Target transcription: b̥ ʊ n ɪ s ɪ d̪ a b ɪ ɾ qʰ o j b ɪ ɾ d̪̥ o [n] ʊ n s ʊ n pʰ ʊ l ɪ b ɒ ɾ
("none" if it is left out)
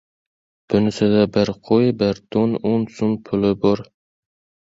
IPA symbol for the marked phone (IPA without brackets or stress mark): n